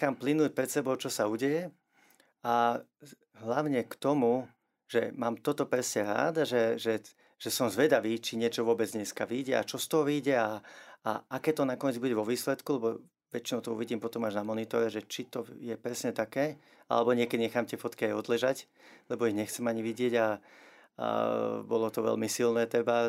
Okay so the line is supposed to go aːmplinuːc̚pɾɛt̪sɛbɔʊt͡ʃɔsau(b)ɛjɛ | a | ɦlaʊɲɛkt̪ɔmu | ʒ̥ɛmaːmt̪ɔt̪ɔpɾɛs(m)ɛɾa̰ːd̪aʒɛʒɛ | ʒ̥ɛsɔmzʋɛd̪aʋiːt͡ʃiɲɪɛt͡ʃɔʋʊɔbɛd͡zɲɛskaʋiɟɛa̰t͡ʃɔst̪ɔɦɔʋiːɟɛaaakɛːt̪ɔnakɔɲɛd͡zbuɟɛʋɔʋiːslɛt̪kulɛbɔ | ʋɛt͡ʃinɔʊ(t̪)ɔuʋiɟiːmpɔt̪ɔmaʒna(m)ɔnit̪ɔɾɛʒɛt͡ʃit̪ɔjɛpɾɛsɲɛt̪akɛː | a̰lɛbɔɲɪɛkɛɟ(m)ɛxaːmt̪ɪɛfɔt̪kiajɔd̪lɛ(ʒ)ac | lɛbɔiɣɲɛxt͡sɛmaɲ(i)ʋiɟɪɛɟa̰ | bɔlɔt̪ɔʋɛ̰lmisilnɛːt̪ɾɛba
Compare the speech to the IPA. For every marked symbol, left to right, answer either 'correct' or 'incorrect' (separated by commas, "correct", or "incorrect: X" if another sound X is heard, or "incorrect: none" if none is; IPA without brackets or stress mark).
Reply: incorrect: ɟ, incorrect: ɲ, correct, correct, incorrect: ɲ, correct, correct